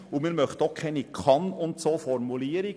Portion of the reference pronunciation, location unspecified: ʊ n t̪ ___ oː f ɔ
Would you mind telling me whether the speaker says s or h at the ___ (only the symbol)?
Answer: s